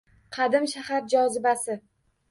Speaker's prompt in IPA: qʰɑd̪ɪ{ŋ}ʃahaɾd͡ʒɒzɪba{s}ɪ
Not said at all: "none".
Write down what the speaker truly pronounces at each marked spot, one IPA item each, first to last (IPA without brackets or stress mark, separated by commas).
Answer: m, s